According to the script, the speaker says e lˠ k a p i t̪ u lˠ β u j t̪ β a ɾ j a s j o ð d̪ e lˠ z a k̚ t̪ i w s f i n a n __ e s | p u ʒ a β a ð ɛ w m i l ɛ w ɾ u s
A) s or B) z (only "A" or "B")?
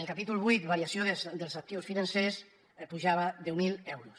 A